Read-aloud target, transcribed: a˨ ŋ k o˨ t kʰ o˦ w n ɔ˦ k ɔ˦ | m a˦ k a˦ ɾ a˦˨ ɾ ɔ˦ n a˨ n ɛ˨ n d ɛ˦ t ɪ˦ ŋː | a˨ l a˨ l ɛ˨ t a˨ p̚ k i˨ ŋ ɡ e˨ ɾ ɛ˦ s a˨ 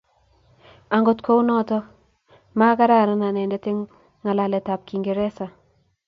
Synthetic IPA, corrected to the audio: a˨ ŋ ɡ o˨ t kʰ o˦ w n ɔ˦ t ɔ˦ | m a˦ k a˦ ɾ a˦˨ ɾ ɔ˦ n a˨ n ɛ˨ n d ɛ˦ t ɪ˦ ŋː | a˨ l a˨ l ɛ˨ t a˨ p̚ k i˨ ŋ ɡ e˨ ɾ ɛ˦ s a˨